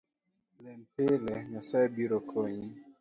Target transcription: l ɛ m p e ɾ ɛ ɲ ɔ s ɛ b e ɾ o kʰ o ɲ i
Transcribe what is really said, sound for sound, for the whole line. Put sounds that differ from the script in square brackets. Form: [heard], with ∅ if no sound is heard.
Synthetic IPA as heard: l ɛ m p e [l] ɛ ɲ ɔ s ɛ b [i] ɾ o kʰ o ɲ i